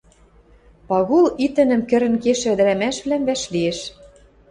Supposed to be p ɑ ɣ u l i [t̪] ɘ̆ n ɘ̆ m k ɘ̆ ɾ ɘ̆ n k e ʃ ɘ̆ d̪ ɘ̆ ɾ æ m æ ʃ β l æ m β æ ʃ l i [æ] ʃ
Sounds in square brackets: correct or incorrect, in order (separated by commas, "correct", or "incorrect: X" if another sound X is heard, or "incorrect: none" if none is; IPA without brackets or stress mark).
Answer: correct, incorrect: e